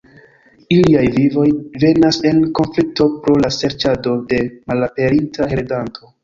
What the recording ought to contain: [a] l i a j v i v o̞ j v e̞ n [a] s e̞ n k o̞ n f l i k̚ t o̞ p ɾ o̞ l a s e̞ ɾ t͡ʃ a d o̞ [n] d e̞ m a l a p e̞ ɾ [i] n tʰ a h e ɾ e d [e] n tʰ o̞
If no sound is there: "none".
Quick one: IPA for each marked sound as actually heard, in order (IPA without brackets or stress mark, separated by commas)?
i, a, none, i, a